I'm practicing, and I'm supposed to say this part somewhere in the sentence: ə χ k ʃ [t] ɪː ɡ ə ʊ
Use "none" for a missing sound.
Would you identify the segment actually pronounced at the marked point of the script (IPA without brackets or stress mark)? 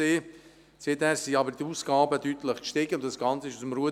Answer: t